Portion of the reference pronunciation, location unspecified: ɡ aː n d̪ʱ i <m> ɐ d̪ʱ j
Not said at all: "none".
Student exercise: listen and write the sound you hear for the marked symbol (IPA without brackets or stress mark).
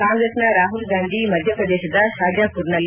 m